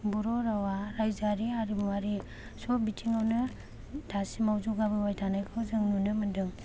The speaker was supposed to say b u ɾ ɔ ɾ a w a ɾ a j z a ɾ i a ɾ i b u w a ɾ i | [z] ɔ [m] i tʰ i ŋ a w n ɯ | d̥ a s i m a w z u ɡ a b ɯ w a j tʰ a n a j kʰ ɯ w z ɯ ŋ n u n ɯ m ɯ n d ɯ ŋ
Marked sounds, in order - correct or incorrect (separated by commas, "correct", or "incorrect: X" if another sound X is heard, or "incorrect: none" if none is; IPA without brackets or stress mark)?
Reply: incorrect: s, incorrect: b